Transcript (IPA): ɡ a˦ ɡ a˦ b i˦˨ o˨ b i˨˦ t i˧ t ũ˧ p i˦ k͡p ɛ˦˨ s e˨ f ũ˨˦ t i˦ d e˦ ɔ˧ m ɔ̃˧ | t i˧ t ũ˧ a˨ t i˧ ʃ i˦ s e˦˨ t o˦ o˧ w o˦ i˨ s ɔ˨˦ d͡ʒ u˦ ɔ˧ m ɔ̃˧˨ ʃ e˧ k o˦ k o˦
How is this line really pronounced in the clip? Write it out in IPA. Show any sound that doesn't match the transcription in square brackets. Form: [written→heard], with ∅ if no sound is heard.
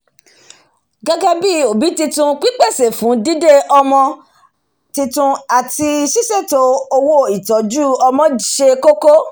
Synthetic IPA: ɡ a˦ ɡ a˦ b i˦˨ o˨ b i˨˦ t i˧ t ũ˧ [p→k͡p] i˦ k͡p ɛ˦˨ s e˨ f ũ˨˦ [t→d] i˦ d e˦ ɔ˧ m ɔ̃˧ | t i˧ t ũ˧ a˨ t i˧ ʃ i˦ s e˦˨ t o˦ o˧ w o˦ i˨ [s→t] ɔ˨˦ d͡ʒ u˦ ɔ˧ m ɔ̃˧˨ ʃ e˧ k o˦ k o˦